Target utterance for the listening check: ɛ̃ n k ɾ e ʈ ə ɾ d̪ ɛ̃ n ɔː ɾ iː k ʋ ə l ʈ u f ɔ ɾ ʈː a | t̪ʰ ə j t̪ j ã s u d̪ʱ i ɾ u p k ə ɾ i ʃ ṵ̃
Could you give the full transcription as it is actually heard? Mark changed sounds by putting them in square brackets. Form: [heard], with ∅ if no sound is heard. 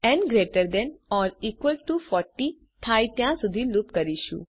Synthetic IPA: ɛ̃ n [ɡ] ɾ e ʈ ə ɾ d̪ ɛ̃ n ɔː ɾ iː k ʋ ə l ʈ u f ɔ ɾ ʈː [i] | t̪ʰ [a] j t̪ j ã s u d̪ʱ i [l] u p k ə ɾ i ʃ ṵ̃